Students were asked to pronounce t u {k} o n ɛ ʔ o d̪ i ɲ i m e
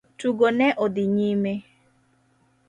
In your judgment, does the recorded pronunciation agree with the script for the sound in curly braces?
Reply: no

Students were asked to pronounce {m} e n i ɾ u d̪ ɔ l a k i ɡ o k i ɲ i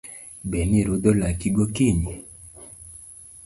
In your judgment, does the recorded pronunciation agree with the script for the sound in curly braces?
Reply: no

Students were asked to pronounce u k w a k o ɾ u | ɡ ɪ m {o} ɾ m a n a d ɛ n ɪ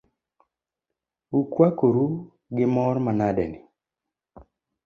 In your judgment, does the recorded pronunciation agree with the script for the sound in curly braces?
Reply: no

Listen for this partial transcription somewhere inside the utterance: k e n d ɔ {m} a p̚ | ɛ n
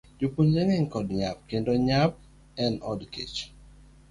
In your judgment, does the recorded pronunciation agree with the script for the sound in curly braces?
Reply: no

